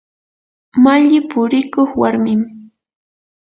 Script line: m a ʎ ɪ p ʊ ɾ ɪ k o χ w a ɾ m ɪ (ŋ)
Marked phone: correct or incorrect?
incorrect